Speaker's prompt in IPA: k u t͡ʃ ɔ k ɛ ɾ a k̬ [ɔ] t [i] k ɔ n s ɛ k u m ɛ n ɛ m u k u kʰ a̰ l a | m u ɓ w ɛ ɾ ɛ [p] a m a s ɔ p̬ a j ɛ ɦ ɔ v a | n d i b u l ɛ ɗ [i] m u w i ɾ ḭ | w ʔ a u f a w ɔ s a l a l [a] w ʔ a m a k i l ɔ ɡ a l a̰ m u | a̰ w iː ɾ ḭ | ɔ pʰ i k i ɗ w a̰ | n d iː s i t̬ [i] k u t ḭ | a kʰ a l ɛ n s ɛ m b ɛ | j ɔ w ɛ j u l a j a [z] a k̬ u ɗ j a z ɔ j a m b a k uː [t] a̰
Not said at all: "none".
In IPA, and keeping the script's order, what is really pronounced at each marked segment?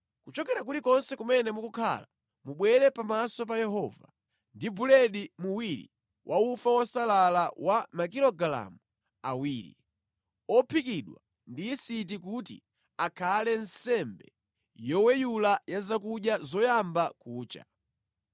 u, i, p, i, a, i, z, t͡ʃ

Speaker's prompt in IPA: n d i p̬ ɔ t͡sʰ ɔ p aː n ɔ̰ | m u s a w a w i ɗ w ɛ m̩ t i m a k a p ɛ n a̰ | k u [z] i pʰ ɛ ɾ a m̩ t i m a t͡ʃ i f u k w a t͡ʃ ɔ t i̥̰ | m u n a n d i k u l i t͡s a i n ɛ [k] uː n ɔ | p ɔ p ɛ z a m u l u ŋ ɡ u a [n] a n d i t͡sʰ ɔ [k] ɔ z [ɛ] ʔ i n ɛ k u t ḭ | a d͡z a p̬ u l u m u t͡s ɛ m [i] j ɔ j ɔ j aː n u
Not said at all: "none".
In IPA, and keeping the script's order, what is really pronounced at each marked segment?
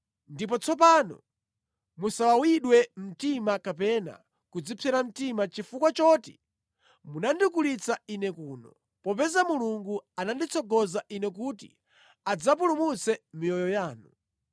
d͡z, k, n, ɡ, a, i

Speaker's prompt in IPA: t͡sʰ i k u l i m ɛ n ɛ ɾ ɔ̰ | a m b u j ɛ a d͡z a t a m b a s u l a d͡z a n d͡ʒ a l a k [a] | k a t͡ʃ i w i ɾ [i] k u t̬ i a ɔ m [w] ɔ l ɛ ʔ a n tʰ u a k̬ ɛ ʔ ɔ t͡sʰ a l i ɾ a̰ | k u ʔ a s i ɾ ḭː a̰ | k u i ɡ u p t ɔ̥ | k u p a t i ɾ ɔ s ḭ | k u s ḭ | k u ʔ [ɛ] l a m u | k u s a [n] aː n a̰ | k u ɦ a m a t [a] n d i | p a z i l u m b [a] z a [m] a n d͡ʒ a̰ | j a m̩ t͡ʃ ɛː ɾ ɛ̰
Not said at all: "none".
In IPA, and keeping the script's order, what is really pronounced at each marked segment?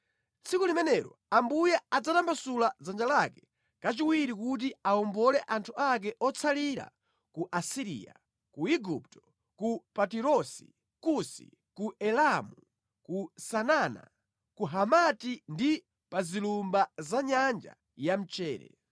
ɛ, i, b, ɛ, n, i, a, ɲ

